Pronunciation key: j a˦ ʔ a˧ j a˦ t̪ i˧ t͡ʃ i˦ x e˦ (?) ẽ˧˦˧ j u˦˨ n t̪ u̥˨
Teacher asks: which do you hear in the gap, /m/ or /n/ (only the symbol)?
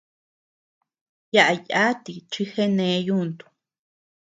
n